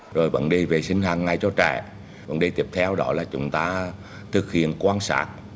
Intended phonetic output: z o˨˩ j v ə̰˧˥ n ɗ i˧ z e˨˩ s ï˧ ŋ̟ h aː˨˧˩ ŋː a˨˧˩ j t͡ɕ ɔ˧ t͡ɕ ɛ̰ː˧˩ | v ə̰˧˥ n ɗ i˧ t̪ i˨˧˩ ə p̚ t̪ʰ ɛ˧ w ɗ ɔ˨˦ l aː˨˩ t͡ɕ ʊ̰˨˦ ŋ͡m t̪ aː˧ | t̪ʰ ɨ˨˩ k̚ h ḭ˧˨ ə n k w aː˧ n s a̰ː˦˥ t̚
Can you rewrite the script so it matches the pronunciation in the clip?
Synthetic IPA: z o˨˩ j v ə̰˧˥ n ɗ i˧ v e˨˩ s ï˧ ŋ̟ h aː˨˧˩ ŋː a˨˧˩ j t͡ɕ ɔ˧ t͡ɕ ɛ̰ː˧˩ | v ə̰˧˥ n ɗ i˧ t̪ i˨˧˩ ə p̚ t̪ʰ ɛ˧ w ɗ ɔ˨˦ l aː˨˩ t͡ɕ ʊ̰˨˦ ŋ͡m t̪ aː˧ | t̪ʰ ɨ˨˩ k̚ h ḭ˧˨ ə n k w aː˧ n s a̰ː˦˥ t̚